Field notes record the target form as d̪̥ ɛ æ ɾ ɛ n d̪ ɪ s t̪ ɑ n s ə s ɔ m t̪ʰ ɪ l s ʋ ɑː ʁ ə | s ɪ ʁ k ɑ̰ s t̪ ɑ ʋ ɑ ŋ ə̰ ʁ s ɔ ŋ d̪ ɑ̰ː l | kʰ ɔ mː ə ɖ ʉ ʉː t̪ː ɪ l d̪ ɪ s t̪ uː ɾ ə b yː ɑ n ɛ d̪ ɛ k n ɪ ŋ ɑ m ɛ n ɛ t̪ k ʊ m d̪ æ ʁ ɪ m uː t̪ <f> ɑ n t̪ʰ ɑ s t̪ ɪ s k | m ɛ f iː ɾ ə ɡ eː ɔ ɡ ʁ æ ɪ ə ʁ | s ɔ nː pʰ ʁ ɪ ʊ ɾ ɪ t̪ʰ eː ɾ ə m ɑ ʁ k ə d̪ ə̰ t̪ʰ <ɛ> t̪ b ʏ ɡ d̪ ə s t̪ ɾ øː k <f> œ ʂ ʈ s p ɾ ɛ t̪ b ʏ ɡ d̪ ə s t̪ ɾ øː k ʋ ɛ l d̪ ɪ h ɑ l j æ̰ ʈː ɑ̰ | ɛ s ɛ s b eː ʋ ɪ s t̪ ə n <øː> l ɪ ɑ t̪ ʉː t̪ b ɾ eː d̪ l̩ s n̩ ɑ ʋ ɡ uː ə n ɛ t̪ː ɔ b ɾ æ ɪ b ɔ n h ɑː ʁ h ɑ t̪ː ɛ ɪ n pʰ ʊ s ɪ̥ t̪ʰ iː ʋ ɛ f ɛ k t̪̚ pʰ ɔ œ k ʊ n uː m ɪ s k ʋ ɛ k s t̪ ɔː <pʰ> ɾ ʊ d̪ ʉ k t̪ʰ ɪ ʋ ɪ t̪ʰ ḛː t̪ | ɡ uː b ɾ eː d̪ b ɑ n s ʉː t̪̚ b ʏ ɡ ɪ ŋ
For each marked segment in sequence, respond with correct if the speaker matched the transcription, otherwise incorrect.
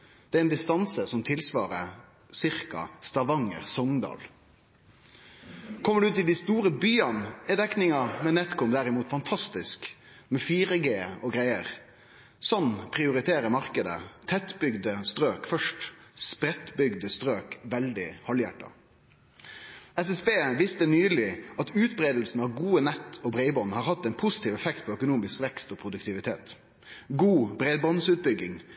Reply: correct, correct, correct, incorrect, correct

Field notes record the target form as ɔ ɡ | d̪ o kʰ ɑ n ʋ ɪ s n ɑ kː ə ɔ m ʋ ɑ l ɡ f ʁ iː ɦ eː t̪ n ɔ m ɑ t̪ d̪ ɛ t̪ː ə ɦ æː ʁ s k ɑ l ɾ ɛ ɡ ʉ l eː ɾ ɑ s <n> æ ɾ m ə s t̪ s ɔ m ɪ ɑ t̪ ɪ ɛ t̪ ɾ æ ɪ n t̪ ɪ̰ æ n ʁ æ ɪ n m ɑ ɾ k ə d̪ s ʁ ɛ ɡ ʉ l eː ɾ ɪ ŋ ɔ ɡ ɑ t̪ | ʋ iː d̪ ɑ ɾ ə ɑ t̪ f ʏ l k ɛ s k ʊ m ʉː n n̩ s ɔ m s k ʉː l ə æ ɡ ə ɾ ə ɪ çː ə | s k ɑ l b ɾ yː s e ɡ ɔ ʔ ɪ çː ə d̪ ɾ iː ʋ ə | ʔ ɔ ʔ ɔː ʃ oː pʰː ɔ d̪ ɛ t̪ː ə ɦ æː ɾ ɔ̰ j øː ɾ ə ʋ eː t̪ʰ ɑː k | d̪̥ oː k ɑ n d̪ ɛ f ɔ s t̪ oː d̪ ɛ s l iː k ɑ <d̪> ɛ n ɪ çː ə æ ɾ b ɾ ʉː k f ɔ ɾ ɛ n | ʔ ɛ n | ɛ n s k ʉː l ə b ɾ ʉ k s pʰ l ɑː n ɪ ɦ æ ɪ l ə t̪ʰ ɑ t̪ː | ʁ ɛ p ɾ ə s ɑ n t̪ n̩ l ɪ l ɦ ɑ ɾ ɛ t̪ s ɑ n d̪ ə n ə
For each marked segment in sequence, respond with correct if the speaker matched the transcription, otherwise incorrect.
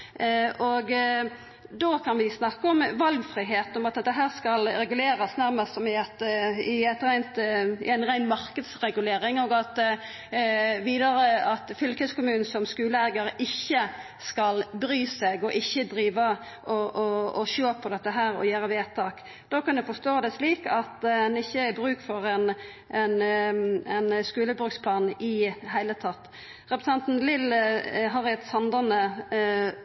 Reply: correct, incorrect

